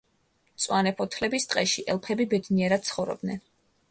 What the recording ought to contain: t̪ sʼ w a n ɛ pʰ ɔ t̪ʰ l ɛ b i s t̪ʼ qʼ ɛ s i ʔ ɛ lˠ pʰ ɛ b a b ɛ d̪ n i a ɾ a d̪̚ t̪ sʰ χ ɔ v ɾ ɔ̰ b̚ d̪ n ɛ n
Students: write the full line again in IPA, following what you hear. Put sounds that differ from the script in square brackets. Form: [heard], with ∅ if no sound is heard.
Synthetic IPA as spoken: t̪ sʼ w a n ɛ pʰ ɔ t̪ʰ l ɛ b i s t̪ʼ qʼ ɛ [ʃ] i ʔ ɛ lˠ pʰ ɛ b [i] b ɛ d̪ n i [ɛ] ɾ a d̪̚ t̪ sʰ χ ɔ v ɾ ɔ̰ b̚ d̪ n ɛ n